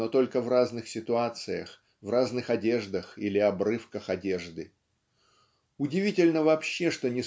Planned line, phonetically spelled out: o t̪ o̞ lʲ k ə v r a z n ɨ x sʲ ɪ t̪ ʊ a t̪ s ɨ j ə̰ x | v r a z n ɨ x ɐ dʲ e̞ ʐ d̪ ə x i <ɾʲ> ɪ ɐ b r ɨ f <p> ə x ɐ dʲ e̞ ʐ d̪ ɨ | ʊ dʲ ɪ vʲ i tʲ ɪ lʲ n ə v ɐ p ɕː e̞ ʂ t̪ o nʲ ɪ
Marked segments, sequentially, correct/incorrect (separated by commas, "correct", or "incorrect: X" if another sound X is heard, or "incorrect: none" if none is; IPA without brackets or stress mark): incorrect: lʲ, incorrect: k